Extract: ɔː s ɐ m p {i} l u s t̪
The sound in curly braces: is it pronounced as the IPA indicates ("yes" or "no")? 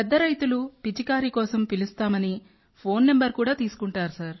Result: yes